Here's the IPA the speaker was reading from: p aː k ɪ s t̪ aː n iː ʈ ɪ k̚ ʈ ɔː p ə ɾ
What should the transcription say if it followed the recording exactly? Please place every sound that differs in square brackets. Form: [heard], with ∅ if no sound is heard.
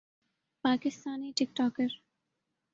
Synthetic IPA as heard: p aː k ɪ s t̪ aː n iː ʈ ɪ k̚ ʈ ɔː [k] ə ɾ